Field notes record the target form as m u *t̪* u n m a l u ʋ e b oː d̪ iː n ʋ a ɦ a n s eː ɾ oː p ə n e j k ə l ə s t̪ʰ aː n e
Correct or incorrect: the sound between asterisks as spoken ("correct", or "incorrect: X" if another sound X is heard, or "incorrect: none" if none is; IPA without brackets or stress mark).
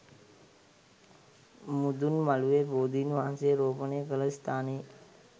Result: incorrect: d̪